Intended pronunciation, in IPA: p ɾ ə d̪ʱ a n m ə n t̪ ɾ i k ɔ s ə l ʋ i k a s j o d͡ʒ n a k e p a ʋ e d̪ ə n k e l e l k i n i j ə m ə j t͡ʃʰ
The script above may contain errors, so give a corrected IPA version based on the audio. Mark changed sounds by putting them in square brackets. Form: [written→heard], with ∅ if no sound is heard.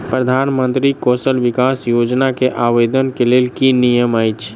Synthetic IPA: p ɾ ə d̪ʱ a n m ə n t̪ ɾ i k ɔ s ə l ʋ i k a s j o d͡ʒ n a k e [p→ʔ] a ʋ e d̪ ə n k e l e l k i n i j ə m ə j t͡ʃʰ